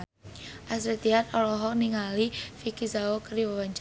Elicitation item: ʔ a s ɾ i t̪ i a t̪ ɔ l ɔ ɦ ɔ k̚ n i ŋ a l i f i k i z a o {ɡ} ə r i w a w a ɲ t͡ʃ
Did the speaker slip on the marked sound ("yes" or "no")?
yes